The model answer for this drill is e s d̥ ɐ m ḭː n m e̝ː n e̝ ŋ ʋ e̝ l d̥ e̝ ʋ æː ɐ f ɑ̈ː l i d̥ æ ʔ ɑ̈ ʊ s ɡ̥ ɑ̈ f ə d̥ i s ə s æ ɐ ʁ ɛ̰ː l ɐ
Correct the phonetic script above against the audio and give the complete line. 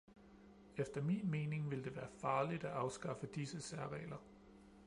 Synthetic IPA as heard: e f d̥ ɐ m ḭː n m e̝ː n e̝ ŋ ʋ e̝ l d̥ e̝ ʋ æː ɐ f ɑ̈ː l i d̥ æ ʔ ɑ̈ ʊ s ɡ̥ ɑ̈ f ə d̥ i s ə s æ ɐ ʁ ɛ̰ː l ɐ